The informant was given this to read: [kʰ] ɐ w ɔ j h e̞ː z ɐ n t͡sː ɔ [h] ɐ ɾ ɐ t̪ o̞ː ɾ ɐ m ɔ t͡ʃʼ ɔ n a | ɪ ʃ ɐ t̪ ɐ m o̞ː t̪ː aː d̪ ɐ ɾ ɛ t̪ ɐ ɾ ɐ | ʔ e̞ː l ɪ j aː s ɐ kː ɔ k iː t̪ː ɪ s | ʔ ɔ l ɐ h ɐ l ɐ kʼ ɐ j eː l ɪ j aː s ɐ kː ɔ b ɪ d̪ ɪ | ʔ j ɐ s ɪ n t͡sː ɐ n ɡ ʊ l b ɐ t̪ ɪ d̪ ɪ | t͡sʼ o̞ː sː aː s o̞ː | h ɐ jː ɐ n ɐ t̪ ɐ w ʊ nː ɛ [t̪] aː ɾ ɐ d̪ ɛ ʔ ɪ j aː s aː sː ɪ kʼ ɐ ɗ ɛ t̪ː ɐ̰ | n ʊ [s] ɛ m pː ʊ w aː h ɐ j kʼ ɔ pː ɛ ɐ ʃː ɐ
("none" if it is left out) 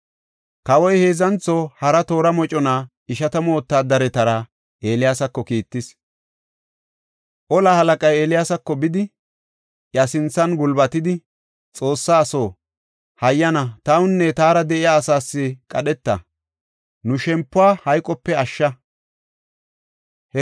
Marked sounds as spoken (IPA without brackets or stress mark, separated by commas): k, h, t̪, ʃ